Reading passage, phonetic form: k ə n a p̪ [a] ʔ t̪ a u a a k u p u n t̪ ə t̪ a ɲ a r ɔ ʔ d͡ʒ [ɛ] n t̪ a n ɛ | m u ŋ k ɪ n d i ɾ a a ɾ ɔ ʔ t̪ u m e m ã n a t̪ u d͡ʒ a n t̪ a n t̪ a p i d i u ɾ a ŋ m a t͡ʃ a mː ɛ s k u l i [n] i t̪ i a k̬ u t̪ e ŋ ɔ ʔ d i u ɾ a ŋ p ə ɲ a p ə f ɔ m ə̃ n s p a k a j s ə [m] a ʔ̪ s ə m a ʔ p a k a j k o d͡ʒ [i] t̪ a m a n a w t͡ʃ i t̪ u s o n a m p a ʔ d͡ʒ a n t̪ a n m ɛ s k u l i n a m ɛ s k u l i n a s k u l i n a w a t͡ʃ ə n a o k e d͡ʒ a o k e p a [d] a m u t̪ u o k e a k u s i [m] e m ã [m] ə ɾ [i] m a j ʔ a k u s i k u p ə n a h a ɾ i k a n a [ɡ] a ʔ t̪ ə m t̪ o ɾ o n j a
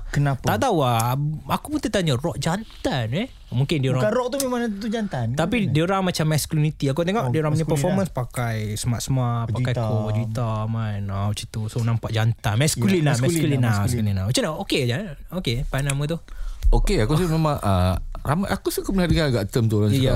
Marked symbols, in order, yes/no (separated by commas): yes, no, yes, yes, yes, no, yes, no, no, yes